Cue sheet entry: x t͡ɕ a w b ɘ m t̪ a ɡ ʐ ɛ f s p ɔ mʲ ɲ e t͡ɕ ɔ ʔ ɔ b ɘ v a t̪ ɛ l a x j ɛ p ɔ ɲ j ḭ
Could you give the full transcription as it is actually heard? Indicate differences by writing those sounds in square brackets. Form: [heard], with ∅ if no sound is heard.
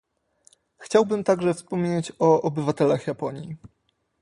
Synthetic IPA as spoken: x t͡ɕ a w b ɘ m t̪ a ɡ ʐ ɛ f s p ɔ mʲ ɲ e t͡ɕ ɔ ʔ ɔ b ɘ v a t̪ ɛ l a x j [a] p ɔ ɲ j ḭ